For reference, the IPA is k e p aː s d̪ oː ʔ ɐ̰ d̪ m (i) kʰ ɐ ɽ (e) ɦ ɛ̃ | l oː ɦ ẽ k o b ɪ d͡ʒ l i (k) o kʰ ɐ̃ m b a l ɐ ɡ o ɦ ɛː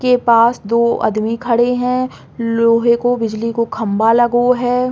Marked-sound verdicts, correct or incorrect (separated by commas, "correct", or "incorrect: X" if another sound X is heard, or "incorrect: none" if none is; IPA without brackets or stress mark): correct, correct, correct